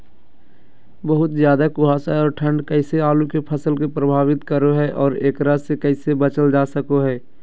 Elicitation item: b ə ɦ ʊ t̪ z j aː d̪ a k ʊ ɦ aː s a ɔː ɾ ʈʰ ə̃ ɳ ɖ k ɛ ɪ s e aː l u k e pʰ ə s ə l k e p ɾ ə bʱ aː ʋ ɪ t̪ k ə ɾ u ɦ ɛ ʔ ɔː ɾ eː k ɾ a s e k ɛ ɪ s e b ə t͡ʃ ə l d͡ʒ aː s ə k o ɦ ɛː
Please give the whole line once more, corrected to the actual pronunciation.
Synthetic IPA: b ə ɦ ʊ t̪ z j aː d̪ a k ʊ ɦ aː s a ɔː ɾ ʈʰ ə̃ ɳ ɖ k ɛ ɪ s e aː l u k e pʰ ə s ə l k e p ɾ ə bʱ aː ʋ ɪ t̪ k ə ɾ o ɦ ɛ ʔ ɔː ɾ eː k ɾ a s e k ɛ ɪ s e b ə t͡ʃ ə l d͡ʒ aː s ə k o ɦ ɛː

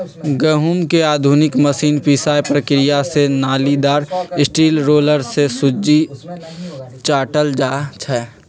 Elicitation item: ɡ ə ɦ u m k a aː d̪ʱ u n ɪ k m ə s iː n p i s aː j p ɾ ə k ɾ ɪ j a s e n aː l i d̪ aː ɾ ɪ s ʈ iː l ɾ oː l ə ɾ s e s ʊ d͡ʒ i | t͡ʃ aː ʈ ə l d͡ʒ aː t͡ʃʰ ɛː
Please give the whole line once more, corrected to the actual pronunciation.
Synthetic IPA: ɡ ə ɦ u m k e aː d̪ʱ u n ɪ k m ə s iː n p i s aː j p ɾ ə k ɾ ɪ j a s e n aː l i d̪ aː ɾ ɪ s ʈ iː l ɾ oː l ə ɾ s e s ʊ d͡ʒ i | t͡ʃ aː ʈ ə l d͡ʒ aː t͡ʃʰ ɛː

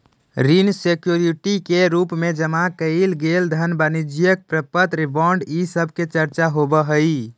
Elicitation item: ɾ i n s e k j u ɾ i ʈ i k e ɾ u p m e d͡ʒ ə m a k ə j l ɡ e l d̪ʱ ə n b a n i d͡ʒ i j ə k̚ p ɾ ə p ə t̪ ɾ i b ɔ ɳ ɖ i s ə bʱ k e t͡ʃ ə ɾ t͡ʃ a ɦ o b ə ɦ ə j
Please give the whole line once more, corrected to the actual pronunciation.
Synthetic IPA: ɾ i n s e k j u ɾ i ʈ i k e ɾ u p m e d͡ʒ ə m a k ə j l ɡ e l d̪ʱ ə n b a n i d͡ʒ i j ə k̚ p ɾ ə p ə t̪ ɾ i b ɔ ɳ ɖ i s ə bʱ k e t͡ʃ ə ɾ t͡ʃ a ɦ o b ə ɦ ə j

